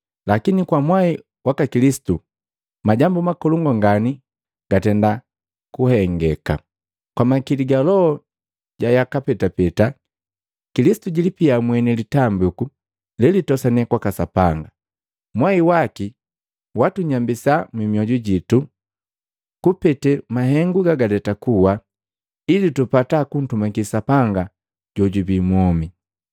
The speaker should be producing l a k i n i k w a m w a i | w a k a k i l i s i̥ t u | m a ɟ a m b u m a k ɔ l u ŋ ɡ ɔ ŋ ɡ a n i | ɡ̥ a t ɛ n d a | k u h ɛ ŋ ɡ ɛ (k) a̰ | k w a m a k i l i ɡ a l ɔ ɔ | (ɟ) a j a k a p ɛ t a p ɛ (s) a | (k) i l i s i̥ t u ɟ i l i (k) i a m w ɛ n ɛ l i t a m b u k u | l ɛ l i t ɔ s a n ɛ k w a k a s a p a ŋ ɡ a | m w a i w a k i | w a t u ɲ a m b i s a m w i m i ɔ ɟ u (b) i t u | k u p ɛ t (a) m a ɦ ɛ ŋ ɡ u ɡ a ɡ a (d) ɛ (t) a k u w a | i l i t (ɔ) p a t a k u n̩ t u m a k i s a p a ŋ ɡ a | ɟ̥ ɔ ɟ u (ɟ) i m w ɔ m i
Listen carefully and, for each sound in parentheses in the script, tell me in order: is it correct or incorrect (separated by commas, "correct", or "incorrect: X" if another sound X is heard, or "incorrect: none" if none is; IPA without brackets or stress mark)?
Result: correct, correct, incorrect: t, correct, incorrect: p, incorrect: ɟ, incorrect: ɛ, correct, correct, incorrect: u, incorrect: b